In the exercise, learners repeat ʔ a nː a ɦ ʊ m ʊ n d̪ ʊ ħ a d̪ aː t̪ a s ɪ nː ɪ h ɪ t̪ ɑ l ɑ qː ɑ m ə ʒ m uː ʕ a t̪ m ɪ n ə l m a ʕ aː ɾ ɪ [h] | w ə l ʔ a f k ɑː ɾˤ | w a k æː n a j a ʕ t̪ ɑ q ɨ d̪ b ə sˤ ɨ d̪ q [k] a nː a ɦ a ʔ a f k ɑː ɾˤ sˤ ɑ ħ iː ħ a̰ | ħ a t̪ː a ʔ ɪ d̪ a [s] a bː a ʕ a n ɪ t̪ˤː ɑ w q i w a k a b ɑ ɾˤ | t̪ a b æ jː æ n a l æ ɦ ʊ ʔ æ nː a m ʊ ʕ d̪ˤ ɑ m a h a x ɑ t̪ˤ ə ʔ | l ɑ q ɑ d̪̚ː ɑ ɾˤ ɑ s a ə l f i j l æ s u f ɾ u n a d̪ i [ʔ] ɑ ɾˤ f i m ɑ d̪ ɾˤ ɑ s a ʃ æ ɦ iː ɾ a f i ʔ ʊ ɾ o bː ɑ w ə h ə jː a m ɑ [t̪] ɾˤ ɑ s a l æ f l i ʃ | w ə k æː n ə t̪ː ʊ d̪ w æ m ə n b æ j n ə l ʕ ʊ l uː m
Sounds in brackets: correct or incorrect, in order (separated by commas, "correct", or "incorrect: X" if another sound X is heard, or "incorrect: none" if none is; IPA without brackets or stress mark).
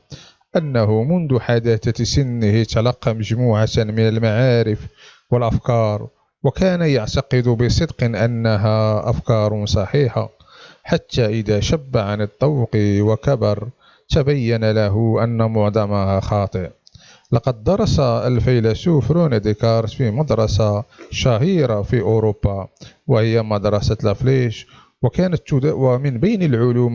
incorrect: f, incorrect: ʔ, incorrect: ʃ, incorrect: k, incorrect: d̪